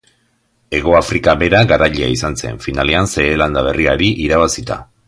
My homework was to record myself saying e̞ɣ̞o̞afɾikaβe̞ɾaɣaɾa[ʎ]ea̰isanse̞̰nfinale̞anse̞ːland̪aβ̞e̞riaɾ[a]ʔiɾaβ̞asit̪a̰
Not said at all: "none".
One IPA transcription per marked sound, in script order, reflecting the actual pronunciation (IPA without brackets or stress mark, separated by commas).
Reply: ʎ, i